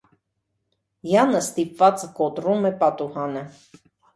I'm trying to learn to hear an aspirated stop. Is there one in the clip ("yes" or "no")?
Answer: no